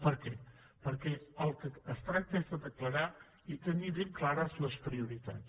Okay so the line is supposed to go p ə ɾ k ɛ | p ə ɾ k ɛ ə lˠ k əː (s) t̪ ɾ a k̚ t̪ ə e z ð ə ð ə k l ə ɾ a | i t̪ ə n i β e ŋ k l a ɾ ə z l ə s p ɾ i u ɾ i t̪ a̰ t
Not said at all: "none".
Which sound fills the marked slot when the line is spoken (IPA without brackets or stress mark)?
s